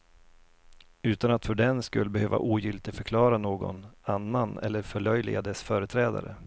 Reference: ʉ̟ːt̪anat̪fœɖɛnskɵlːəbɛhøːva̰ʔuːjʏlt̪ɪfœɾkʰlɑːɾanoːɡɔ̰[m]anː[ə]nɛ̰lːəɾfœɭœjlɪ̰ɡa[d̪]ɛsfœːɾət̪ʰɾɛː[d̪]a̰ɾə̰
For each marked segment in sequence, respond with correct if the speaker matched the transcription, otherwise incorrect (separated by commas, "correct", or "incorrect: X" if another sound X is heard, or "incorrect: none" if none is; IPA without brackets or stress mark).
incorrect: n, incorrect: a, correct, correct